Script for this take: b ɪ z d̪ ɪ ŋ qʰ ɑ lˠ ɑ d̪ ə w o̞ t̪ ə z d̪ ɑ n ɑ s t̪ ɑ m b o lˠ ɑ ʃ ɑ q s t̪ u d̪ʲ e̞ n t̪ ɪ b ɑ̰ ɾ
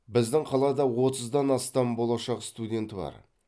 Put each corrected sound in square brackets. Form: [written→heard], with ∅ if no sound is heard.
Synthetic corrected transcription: b ɪ z d̪ ɪ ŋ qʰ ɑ lˠ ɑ d̪ [ə→ɑ] w o̞ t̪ ə z d̪ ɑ n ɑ s t̪ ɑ m b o lˠ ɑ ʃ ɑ q s t̪ u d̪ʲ e̞ n t̪ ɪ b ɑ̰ ɾ